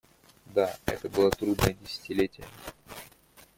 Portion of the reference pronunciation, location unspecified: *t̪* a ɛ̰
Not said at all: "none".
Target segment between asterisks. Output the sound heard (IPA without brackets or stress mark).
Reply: d̪